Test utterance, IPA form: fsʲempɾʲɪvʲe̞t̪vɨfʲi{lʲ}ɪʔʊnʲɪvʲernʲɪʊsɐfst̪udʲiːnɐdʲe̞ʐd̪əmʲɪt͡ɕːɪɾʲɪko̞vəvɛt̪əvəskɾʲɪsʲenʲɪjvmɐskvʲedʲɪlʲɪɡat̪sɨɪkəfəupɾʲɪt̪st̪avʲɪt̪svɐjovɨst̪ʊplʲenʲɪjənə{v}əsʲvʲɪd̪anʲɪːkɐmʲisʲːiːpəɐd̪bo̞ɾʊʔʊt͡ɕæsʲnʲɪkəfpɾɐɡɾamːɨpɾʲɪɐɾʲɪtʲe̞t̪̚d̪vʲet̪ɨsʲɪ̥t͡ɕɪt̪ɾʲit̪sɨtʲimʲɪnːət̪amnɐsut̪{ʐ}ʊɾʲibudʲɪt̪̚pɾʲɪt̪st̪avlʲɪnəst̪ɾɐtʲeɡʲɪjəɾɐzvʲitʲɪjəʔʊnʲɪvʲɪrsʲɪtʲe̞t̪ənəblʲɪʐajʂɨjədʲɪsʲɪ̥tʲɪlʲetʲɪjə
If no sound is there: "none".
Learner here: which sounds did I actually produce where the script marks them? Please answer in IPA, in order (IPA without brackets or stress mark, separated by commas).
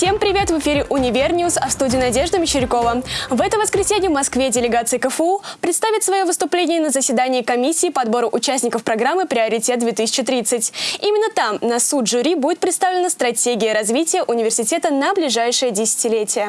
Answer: ɾʲ, z, ʐ